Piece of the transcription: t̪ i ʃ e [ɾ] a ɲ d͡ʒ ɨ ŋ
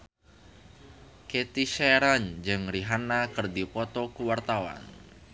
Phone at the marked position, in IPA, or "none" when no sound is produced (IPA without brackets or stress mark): ɾ